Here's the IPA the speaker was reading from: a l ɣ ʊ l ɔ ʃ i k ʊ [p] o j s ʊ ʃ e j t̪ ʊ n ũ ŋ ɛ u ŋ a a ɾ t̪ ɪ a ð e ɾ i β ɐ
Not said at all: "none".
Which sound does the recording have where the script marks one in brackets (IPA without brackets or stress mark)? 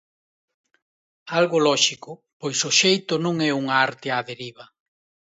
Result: p